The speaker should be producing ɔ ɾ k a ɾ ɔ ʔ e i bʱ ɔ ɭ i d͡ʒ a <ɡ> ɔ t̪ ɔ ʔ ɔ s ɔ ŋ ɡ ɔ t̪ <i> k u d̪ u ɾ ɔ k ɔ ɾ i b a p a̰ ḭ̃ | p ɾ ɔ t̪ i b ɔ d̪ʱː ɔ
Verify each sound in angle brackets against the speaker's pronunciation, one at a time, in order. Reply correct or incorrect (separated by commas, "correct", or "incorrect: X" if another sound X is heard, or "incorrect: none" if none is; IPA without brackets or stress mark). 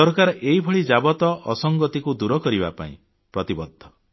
incorrect: b, correct